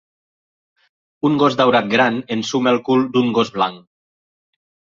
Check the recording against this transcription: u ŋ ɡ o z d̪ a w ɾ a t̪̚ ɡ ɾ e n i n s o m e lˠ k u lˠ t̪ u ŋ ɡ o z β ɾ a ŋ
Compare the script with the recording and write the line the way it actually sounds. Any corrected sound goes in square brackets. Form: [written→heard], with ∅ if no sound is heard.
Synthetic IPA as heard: u ŋ ɡ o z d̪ a w ɾ a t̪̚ ɡ ɾ [e→a] n [i→e] n s [o→u] m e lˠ k u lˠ [t̪→d̪] u ŋ ɡ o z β [ɾ→l] a ŋ

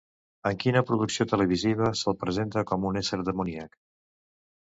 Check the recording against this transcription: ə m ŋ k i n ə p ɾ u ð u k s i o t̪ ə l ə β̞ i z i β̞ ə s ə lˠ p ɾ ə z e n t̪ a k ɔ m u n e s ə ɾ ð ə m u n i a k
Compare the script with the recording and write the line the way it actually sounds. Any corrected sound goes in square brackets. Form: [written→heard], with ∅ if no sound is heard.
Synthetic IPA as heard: ə [m→∅] ŋ k i n ə p ɾ u ð u k s i o t̪ ə l ə β̞ i z i β̞ ə s ə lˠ p ɾ ə z e n t̪ [a→ə] k ɔ m u n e s ə ɾ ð ə m u n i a k

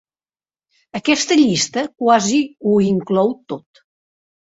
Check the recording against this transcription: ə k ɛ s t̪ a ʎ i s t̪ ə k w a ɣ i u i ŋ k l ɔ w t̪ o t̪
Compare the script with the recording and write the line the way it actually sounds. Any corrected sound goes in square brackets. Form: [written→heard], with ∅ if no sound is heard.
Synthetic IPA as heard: ə k ɛ s t̪ [a→ə] ʎ i s t̪ ə k w a [ɣ→z] i u i ŋ k l ɔ w t̪ o t̪

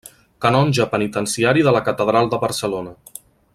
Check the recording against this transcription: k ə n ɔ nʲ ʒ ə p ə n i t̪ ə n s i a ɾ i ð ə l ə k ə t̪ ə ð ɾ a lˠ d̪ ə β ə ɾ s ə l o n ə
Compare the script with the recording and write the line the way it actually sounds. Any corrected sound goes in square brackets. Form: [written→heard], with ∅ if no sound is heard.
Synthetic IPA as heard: k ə n ɔ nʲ ʒ ə p ə n i t̪ ə n s i a ɾ i ð ə l ə k ə t̪ ə ð ɾ a lˠ d̪ ə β ə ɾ s ə l o n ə

